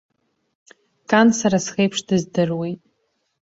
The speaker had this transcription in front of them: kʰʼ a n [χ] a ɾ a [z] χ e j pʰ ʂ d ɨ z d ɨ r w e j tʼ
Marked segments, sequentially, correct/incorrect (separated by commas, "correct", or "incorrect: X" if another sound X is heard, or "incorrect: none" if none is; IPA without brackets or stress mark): incorrect: s, incorrect: s